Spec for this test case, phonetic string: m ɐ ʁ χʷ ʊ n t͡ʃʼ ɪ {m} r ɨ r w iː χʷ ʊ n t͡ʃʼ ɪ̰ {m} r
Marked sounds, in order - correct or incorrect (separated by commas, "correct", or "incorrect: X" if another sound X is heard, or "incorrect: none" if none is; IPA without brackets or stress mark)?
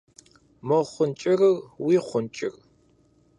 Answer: incorrect: none, incorrect: none